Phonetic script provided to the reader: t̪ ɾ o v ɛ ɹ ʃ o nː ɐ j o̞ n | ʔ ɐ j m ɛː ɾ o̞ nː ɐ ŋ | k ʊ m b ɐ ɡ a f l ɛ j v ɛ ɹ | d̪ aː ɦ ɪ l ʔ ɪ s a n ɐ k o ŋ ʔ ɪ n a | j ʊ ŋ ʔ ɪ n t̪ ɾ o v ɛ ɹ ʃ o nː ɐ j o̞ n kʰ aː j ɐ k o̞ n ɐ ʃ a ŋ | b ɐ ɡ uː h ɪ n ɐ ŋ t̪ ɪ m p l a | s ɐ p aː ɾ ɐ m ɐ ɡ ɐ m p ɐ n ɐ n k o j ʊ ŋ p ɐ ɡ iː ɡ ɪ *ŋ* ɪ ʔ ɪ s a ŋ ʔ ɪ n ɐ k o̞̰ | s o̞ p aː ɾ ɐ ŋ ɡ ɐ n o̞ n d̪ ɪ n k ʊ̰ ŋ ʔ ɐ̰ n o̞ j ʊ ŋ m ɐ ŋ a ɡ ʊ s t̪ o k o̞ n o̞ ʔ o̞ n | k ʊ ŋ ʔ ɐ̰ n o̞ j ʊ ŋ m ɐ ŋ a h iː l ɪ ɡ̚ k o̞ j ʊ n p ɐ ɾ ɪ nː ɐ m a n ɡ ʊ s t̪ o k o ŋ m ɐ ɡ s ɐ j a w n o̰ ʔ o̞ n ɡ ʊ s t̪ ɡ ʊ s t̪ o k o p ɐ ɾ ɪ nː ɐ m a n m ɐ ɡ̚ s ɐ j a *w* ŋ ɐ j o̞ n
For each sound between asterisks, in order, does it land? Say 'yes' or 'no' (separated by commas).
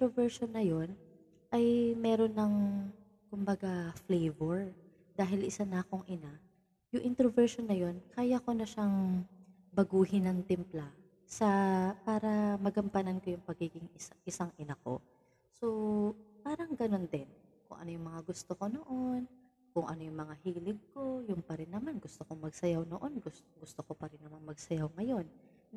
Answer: yes, yes